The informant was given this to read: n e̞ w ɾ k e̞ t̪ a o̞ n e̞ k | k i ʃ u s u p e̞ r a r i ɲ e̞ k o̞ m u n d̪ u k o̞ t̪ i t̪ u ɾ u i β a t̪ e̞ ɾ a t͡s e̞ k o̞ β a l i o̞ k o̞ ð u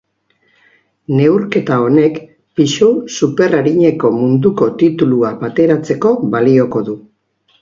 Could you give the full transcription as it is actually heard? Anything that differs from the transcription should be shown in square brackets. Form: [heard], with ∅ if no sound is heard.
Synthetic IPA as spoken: n e̞ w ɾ k e̞ t̪ a o̞ n e̞ k | [p] i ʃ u s u p e̞ r a [ɾ] i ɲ e̞ k o̞ m u n d̪ u k o̞ t̪ i t̪ u [l] u [a] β a t̪ e̞ ɾ a t͡s e̞ k o̞ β a l i o̞ k o̞ ð u